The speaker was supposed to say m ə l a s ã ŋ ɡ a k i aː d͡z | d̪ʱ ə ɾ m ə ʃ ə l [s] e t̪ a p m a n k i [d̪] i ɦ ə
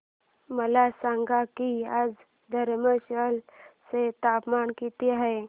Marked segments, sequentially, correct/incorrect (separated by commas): correct, incorrect